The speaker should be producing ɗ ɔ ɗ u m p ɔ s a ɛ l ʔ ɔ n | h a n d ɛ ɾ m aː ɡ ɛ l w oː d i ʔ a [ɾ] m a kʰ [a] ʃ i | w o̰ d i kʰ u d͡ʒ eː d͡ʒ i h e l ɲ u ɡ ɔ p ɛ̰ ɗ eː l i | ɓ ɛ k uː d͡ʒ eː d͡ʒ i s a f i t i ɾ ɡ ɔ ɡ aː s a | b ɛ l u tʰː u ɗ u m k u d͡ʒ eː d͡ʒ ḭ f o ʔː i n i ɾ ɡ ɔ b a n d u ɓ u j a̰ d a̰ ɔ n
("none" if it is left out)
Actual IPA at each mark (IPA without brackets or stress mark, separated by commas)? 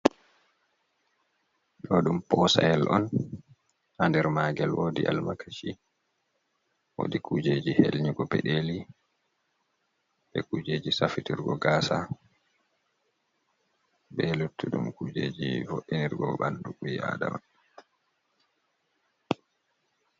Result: l, a